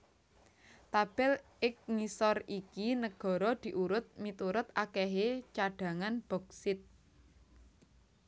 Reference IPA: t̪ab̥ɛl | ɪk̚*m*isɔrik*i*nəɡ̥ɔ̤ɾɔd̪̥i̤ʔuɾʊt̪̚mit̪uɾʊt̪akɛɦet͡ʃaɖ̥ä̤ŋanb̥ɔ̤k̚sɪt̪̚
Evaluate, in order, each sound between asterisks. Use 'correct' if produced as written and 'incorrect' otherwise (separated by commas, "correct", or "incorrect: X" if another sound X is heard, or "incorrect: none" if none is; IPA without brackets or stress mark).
incorrect: ŋ, correct